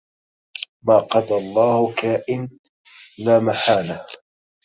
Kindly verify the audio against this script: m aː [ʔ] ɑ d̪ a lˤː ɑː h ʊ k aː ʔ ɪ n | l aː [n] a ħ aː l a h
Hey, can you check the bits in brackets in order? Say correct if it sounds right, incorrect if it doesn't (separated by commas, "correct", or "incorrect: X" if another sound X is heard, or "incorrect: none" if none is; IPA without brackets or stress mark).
incorrect: q, incorrect: m